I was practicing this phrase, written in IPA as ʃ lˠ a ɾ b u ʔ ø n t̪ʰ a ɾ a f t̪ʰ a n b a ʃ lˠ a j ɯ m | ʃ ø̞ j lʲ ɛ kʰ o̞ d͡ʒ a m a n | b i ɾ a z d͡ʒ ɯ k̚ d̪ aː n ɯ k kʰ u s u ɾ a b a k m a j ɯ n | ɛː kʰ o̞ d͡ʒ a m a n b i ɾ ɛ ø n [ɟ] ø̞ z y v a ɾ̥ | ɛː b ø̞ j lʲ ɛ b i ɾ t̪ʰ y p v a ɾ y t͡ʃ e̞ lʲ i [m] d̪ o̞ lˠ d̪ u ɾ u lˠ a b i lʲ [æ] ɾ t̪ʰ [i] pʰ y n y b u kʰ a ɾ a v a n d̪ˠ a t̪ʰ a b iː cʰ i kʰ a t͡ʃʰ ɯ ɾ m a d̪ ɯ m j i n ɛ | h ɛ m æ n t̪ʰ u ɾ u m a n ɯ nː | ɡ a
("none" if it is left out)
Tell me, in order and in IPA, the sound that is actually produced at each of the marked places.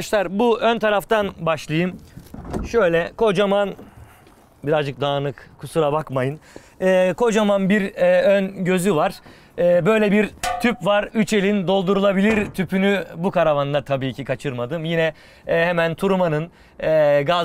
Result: ɟ, n, i, y

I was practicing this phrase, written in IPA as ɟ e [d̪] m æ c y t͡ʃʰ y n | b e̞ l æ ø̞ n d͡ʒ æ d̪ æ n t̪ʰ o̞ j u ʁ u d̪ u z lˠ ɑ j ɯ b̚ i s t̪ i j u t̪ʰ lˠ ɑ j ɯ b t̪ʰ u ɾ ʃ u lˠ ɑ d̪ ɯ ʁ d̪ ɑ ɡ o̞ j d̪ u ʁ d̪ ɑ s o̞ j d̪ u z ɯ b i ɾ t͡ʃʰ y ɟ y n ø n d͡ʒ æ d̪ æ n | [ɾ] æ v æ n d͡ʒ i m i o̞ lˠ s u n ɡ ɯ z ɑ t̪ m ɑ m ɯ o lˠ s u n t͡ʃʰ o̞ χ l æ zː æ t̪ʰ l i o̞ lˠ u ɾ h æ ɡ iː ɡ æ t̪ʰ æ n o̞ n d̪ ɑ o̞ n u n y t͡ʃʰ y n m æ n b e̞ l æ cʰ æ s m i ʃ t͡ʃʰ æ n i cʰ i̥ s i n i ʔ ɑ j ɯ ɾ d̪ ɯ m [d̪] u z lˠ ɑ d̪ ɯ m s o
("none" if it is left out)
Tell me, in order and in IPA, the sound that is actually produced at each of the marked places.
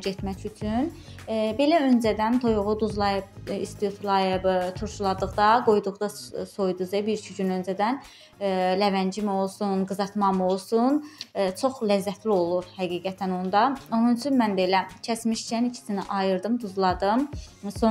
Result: t̪, l, d̪

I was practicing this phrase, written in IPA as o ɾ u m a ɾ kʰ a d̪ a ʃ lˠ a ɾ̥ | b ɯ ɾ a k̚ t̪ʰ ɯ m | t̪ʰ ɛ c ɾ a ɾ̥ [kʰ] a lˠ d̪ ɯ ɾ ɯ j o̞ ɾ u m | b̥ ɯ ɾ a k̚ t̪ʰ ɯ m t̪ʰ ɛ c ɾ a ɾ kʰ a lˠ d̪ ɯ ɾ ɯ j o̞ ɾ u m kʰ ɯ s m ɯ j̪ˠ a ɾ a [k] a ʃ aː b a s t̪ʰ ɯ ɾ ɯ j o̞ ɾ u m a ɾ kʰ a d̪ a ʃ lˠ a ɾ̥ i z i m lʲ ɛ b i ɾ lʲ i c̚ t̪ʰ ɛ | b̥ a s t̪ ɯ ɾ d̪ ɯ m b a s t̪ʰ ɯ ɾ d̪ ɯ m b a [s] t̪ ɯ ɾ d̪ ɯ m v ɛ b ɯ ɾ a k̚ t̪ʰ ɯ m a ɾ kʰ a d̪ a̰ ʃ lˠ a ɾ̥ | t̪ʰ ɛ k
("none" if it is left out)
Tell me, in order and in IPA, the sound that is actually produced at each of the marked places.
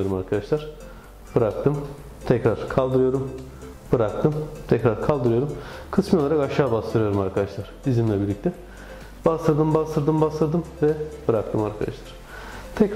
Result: kʰ, k, s

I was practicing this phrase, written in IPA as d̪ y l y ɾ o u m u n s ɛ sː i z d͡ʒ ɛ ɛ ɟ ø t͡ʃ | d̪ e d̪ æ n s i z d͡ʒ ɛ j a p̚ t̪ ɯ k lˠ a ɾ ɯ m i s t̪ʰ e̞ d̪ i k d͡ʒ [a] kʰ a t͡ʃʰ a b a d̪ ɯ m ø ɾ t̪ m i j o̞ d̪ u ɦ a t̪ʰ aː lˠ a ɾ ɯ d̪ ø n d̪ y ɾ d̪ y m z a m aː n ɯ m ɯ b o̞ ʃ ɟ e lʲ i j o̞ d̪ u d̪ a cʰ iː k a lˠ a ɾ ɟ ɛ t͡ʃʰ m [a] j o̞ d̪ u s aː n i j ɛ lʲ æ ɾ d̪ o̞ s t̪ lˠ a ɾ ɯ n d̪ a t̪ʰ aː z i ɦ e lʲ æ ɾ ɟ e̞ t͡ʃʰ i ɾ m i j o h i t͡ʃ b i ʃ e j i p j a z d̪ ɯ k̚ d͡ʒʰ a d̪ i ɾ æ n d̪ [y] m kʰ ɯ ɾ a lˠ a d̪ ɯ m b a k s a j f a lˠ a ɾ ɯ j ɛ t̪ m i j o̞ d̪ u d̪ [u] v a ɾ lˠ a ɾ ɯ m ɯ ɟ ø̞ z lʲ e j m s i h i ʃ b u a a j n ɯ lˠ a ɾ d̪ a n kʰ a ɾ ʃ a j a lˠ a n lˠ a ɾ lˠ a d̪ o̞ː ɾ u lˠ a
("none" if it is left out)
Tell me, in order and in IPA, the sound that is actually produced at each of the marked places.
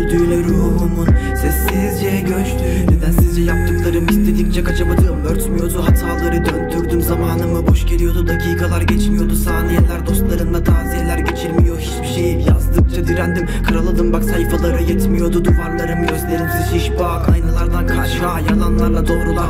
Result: ɛ, i, i, u

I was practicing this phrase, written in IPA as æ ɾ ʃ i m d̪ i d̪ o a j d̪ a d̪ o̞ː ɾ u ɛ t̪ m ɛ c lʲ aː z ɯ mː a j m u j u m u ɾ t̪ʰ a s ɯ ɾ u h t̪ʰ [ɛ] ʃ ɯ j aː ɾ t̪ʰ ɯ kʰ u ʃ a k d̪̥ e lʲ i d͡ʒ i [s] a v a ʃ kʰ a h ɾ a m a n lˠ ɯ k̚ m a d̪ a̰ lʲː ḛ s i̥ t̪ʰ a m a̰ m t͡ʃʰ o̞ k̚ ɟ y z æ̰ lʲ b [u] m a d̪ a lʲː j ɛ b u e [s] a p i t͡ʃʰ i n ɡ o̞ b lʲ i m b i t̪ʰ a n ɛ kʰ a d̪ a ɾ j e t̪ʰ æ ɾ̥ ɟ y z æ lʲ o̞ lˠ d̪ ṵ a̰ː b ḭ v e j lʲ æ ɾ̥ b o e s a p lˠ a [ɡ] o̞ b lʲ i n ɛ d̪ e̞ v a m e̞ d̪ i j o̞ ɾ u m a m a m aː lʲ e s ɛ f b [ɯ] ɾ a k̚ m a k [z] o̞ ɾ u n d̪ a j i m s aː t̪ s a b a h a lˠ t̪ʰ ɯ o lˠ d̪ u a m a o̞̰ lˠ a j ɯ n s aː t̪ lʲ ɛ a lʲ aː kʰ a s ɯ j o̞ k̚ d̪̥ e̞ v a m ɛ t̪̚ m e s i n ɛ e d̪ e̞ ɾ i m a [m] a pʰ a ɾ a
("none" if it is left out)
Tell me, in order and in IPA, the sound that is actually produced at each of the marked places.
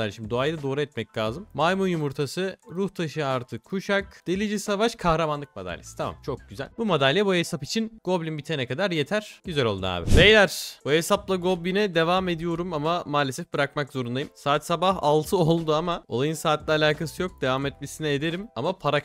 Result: a, s, u, s, ɡ, ɯ, z, m

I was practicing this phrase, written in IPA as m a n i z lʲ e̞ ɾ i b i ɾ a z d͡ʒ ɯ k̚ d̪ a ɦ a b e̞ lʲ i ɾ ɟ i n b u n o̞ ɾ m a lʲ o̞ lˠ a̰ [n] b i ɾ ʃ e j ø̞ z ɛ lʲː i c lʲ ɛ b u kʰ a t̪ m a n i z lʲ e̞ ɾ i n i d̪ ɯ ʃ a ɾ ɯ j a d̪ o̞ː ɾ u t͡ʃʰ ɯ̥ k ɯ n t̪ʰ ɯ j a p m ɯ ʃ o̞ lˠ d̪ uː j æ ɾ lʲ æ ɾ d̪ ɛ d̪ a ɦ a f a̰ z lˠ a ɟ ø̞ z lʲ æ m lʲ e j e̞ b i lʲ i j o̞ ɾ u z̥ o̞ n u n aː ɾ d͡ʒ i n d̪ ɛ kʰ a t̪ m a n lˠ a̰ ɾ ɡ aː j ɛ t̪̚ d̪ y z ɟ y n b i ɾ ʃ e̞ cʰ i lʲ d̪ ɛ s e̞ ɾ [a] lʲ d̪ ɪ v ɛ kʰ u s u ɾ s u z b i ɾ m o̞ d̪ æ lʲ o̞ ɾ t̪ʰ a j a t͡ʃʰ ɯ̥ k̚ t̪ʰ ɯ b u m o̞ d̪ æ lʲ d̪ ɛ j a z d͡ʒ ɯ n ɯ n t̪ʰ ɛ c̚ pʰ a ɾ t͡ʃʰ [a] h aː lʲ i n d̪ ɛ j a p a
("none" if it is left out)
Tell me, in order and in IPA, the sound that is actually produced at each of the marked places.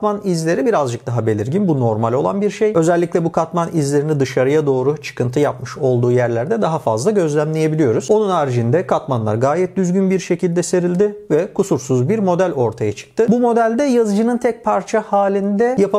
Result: n, i, a

